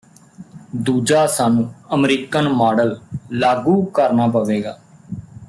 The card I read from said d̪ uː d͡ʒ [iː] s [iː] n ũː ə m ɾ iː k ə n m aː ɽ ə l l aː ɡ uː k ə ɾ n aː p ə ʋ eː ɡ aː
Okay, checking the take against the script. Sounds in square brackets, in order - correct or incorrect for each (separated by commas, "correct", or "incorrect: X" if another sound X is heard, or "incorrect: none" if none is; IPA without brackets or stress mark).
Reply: incorrect: aː, incorrect: aː